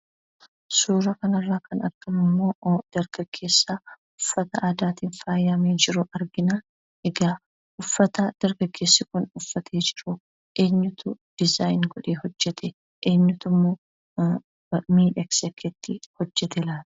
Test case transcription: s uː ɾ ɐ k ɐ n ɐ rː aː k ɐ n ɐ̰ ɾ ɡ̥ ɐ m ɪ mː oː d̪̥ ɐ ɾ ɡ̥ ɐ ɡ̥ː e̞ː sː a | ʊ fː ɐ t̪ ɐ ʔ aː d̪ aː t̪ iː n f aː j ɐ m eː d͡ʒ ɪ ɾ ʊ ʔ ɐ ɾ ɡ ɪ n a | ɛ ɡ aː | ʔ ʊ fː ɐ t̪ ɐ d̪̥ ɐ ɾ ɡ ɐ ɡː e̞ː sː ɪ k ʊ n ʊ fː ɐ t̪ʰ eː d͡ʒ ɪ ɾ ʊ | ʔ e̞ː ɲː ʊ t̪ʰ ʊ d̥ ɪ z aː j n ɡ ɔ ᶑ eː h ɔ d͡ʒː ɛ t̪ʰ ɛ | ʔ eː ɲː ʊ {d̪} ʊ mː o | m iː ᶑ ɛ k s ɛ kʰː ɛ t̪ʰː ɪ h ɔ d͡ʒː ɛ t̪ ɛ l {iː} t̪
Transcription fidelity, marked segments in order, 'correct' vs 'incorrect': incorrect: t̪, incorrect: aː

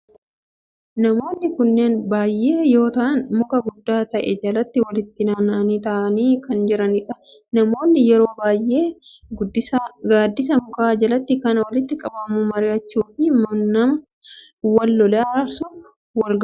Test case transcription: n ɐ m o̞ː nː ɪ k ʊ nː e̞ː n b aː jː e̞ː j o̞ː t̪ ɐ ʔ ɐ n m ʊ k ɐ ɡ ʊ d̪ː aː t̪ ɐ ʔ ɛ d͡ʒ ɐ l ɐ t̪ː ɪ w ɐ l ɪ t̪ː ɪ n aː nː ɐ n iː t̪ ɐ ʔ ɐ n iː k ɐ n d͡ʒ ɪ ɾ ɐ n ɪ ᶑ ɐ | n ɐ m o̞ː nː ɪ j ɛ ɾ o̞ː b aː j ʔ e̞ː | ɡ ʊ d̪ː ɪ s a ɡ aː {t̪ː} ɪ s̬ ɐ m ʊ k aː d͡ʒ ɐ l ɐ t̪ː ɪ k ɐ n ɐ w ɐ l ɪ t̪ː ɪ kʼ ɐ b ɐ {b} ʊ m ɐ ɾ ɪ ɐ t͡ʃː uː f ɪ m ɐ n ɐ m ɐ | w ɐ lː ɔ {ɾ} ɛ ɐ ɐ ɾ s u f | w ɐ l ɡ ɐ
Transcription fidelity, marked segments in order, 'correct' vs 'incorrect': incorrect: d̪ː, incorrect: m, incorrect: l

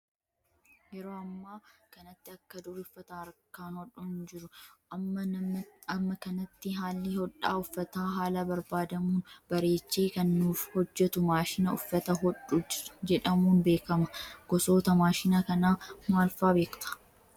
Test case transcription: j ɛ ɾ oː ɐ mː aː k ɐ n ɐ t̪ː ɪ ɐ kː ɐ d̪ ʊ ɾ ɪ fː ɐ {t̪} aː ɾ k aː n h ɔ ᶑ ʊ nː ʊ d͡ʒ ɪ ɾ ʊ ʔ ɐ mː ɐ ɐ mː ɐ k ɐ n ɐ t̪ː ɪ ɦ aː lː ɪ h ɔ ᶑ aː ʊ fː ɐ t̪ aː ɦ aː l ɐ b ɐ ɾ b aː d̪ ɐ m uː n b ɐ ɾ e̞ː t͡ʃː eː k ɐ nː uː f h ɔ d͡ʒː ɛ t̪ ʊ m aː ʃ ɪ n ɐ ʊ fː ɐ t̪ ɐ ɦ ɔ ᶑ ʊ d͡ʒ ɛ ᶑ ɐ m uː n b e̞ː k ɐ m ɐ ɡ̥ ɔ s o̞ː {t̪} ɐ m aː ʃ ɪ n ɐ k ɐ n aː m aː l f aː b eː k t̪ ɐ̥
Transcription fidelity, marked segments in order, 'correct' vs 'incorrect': correct, correct

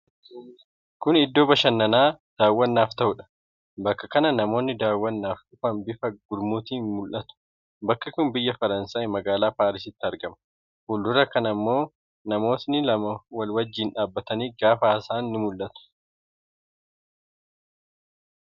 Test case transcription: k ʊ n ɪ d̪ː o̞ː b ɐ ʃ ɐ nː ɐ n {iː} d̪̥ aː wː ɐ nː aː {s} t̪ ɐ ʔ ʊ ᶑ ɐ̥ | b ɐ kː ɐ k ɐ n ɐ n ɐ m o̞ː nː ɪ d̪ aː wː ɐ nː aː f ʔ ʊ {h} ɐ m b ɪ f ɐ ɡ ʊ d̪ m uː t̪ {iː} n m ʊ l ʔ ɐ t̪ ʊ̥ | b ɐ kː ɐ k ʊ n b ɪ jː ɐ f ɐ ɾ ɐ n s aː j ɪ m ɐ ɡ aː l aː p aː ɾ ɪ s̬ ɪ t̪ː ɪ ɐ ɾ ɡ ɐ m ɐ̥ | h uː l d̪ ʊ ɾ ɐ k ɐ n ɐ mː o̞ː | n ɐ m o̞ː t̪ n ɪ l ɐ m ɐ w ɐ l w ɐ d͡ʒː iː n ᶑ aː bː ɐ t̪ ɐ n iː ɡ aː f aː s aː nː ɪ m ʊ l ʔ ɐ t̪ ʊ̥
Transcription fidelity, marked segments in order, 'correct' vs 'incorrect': incorrect: aː, incorrect: f, incorrect: f, correct

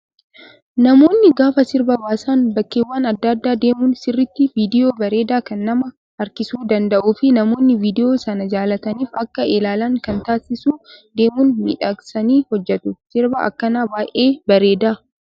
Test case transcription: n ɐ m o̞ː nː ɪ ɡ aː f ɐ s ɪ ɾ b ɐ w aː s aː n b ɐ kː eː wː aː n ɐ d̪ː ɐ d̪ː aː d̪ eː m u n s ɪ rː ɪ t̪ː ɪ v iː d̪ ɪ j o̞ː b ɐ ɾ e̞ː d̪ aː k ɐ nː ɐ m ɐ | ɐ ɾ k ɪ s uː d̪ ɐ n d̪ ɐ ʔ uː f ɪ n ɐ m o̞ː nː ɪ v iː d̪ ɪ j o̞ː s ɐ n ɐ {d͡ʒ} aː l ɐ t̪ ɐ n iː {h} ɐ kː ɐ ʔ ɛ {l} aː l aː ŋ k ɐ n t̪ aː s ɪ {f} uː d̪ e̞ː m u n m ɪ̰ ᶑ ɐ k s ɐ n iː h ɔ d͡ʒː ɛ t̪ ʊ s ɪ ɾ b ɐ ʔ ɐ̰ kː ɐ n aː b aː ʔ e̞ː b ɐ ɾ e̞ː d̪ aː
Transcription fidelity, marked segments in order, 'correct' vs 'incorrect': correct, incorrect: f, correct, incorrect: s

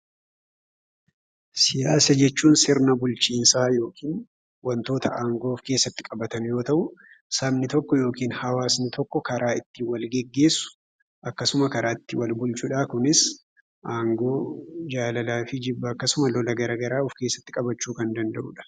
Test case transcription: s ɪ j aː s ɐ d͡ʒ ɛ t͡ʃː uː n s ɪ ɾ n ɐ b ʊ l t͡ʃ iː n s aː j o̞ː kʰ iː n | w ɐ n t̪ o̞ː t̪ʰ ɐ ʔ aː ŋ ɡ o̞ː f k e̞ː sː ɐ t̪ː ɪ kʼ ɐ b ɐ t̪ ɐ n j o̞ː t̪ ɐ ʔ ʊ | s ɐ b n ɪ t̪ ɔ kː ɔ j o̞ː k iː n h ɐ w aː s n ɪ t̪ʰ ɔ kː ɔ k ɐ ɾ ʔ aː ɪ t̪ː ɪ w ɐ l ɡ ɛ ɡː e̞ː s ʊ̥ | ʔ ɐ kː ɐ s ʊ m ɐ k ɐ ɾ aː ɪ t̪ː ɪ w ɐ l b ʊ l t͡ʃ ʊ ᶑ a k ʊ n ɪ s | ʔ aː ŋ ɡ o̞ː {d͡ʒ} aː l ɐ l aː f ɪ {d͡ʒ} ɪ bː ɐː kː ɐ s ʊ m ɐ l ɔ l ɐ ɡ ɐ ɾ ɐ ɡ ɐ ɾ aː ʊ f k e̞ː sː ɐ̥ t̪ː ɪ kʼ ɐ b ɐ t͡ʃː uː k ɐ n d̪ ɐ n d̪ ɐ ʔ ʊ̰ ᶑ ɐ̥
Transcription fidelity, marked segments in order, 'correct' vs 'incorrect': correct, correct

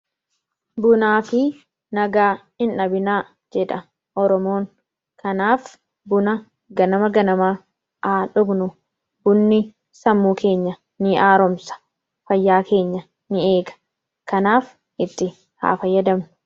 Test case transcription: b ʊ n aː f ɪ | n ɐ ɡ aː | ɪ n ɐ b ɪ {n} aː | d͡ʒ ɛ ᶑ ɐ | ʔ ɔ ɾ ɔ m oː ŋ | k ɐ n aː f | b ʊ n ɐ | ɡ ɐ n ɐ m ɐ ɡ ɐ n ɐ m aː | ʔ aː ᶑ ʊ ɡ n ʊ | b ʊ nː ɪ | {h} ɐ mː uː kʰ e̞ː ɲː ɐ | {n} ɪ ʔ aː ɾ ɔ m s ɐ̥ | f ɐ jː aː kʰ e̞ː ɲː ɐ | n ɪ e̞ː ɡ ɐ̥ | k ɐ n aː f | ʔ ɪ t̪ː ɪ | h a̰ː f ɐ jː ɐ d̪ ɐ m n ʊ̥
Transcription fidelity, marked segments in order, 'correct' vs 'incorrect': correct, incorrect: s, correct

